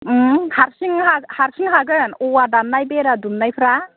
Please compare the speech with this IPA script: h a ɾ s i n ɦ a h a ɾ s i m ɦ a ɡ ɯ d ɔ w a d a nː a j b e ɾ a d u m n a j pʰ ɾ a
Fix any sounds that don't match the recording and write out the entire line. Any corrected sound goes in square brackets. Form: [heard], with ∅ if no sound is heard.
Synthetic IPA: h a ɾ s i [ŋ] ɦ a h a ɾ s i [ŋ] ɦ a ɡ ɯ [n] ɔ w a d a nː a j b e ɾ a d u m n a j pʰ ɾ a